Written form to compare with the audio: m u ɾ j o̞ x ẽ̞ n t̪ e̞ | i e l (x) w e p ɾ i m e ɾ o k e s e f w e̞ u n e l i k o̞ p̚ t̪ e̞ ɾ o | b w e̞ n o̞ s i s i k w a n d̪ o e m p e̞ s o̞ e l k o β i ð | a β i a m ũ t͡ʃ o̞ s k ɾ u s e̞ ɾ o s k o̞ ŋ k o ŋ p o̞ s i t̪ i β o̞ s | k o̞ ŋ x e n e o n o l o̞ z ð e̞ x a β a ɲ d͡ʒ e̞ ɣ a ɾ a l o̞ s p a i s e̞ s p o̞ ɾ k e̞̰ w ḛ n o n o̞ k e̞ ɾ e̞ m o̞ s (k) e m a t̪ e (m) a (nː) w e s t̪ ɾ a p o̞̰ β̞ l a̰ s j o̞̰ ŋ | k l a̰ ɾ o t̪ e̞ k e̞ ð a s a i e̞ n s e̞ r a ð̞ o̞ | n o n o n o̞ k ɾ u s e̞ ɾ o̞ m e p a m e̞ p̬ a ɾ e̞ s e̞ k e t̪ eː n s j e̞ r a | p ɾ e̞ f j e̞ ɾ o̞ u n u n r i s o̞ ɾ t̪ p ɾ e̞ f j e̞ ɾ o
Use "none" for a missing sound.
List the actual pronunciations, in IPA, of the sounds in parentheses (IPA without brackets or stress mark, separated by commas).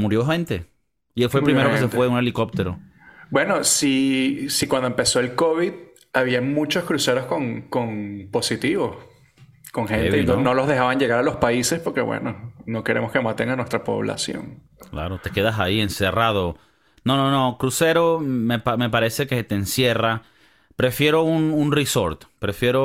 f, k, ŋ, n